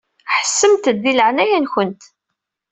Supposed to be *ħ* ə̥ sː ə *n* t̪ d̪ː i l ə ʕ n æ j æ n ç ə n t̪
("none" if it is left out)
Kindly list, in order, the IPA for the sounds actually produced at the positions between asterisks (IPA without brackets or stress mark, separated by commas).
ħ, m